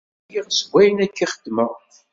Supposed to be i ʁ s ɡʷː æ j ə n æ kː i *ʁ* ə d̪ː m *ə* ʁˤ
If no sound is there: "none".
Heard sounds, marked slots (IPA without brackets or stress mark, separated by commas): χ, ə